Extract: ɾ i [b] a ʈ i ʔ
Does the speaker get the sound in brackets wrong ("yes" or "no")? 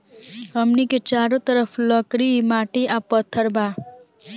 yes